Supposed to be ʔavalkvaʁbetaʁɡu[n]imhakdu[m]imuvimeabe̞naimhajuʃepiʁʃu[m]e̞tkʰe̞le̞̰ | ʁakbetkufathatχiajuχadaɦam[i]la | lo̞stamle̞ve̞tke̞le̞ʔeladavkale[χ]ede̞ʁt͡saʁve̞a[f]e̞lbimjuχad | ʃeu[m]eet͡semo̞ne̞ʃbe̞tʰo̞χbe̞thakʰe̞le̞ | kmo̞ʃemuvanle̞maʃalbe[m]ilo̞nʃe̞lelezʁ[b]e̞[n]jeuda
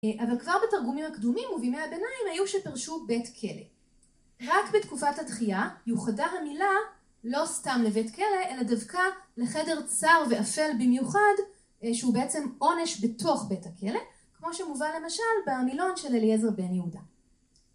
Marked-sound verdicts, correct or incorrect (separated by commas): incorrect, correct, incorrect, correct, correct, correct, incorrect, correct, correct, correct